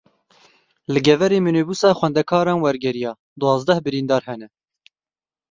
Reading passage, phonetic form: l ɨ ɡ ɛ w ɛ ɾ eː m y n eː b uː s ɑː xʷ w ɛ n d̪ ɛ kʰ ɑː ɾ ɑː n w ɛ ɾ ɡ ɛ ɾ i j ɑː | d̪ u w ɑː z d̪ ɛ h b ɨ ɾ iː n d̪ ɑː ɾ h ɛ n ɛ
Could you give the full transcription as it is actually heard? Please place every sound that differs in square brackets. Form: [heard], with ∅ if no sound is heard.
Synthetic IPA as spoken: l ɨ ɡ ɛ [v] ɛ ɾ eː m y n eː b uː s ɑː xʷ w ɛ n d̪ ɛ kʰ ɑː ɾ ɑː n w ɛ ɾ ɡ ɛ ɾ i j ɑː | d̪ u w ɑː z d̪ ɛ h b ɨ ɾ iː n d̪ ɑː ɾ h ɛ n ɛ